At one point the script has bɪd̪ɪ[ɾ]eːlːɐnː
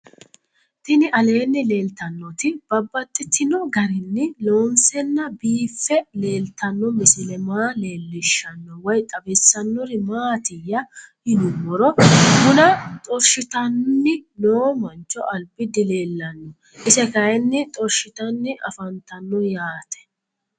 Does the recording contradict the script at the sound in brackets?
yes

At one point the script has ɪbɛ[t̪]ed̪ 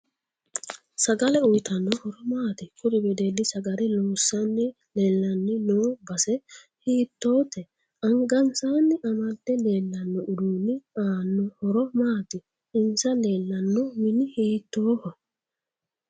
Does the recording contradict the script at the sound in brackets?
yes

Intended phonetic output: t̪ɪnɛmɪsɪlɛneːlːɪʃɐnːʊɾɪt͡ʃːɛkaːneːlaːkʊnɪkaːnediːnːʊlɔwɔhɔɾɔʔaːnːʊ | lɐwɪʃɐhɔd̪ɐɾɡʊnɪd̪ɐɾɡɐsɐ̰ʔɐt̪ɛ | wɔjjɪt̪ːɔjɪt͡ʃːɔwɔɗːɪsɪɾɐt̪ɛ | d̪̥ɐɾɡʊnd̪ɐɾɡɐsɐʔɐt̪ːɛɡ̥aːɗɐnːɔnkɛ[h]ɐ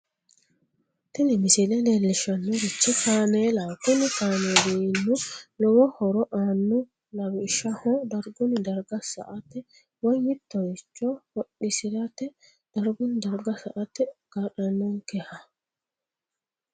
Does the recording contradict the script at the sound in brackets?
no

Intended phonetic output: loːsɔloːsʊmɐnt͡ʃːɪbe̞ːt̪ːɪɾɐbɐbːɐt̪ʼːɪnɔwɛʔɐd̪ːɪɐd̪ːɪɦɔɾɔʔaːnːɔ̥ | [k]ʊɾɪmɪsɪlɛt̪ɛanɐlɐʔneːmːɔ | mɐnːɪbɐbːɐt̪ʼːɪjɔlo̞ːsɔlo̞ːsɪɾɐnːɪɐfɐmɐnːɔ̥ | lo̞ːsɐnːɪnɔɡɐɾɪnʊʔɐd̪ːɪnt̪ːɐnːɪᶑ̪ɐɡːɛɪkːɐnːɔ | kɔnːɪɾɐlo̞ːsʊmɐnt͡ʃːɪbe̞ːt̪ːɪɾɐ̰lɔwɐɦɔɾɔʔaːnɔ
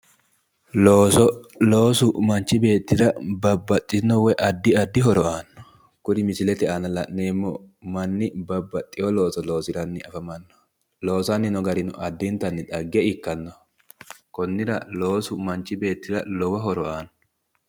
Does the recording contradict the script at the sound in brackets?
no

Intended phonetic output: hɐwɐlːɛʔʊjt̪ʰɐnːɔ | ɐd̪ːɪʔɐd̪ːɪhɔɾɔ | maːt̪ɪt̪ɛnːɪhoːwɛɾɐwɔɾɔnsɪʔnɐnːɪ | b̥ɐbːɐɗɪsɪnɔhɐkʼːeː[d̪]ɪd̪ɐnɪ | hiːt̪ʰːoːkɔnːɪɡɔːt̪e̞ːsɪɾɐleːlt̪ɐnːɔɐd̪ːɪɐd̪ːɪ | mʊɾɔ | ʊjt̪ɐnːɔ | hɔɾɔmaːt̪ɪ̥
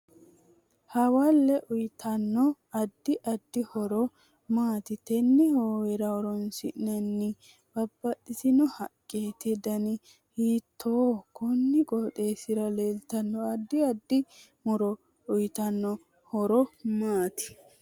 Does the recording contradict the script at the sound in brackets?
yes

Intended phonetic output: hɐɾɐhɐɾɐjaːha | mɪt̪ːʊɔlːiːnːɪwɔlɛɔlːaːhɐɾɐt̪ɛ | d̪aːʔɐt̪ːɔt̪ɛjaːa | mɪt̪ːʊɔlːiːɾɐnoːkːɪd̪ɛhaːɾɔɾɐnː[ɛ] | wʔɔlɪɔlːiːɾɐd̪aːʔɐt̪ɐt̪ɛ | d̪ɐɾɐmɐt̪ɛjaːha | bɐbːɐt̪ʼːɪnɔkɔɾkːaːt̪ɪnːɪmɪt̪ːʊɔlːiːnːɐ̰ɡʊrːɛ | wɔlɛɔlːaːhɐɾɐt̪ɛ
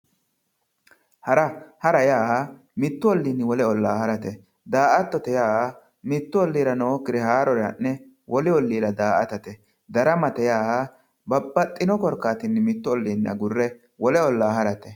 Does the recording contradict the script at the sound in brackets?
no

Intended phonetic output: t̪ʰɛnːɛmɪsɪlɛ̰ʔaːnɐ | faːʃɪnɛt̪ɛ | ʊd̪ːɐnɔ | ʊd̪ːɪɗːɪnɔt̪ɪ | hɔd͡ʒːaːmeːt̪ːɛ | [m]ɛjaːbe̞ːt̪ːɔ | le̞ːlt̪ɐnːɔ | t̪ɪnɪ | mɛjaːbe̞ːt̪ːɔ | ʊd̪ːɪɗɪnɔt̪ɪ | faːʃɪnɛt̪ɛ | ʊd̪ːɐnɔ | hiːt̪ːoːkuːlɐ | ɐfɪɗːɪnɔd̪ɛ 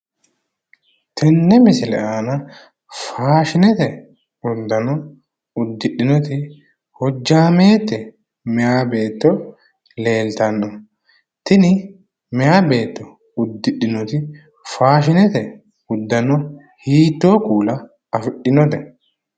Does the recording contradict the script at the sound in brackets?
no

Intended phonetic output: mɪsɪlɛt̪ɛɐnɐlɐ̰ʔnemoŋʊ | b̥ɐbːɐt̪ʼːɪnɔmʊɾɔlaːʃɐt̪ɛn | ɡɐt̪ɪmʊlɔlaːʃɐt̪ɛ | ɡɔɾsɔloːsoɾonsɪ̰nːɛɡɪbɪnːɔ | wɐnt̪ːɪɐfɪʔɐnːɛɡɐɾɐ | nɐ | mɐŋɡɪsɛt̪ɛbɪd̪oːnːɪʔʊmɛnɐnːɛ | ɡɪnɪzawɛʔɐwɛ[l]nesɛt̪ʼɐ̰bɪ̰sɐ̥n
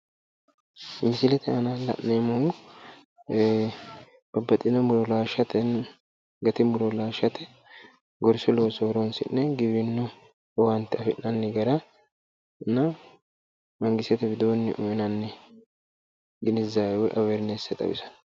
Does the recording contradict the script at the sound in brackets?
yes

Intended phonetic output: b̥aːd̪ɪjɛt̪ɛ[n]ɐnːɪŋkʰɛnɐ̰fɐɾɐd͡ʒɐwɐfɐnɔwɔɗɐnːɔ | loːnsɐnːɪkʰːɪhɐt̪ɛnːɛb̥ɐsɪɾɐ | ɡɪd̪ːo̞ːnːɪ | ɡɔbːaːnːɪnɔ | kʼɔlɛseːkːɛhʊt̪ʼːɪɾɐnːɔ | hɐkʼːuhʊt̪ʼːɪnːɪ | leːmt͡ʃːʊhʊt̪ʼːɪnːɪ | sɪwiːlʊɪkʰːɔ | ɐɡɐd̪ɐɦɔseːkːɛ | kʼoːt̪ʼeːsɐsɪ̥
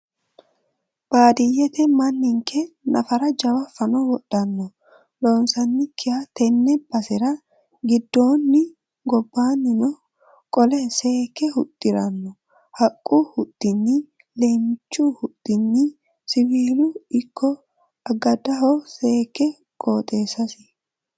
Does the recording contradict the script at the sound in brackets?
yes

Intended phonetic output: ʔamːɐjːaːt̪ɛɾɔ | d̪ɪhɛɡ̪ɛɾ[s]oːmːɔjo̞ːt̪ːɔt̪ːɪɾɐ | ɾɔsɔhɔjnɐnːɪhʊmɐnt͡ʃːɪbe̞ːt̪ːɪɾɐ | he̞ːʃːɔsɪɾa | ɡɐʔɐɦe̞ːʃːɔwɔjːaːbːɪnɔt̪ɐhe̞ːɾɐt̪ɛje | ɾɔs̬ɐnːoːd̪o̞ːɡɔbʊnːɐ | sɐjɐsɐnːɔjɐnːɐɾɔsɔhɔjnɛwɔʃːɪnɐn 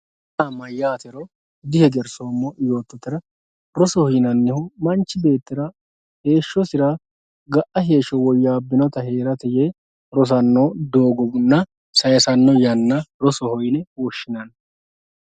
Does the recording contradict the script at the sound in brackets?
no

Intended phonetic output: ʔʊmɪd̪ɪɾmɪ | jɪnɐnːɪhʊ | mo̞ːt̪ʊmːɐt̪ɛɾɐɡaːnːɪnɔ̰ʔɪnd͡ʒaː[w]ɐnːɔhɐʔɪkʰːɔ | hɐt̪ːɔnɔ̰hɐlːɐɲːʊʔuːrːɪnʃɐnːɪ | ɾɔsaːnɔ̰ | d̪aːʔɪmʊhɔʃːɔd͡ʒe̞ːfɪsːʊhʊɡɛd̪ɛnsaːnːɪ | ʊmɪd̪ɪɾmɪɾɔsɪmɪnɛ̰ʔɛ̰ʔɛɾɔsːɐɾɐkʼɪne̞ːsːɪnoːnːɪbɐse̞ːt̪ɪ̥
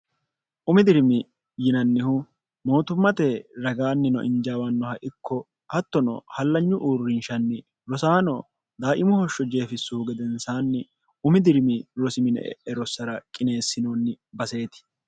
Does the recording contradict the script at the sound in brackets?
no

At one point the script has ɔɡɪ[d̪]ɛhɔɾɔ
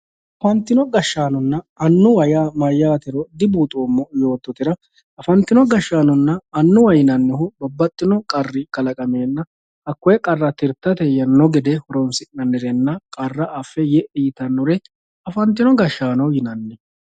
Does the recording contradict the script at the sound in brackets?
no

